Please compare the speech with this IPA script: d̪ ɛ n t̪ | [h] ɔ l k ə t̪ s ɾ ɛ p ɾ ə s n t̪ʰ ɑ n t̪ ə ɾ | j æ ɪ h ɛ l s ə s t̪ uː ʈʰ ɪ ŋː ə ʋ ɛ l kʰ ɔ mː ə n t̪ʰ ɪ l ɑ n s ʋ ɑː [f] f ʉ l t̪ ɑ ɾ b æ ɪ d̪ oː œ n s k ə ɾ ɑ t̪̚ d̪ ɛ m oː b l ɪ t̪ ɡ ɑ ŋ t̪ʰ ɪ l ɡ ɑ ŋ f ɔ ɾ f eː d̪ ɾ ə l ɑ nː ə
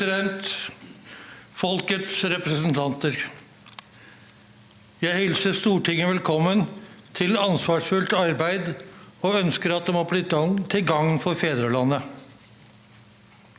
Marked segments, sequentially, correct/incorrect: incorrect: f, incorrect: ʂ

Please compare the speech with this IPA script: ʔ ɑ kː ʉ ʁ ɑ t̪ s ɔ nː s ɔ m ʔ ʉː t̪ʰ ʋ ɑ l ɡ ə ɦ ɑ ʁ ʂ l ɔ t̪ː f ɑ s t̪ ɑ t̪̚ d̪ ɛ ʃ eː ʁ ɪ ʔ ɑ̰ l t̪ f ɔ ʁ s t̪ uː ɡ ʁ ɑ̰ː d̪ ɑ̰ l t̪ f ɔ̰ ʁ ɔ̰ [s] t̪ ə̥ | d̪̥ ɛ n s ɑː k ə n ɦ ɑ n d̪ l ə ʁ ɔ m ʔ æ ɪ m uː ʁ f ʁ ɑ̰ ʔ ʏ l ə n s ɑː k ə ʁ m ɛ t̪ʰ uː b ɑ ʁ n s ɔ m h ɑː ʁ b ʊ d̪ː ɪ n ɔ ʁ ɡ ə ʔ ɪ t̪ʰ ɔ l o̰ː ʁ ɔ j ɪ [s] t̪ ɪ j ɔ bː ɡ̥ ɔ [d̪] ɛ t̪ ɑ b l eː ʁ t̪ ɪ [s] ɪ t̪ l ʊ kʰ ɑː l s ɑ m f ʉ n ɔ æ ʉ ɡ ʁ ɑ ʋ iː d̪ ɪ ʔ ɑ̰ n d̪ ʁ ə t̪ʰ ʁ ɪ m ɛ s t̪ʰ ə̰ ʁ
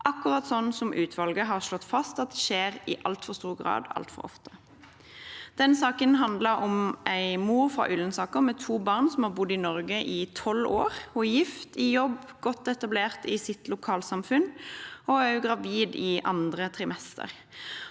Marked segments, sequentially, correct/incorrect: incorrect: f, incorrect: f, incorrect: t̪, correct

